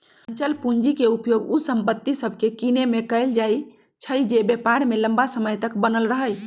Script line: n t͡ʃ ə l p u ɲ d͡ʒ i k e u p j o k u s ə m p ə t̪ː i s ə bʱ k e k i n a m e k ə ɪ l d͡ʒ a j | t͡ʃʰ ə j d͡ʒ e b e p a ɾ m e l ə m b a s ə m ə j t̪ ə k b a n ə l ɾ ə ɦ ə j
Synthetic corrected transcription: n t͡ʃ ə l p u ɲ d͡ʒ i k e u p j o ɡ u s ə m p ə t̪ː i s ə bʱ k e k i n e m e k ə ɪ l d͡ʒ a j | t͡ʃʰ ə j d͡ʒ e b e p a ɾ m e l ə m b a s ə m ə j t̪ ə k b ə n ə l ɾ ə ɦ ə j